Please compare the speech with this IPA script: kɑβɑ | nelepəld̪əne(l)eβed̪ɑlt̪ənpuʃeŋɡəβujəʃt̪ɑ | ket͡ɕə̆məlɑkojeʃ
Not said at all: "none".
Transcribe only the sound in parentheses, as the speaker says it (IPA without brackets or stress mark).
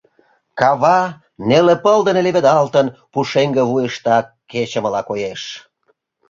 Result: l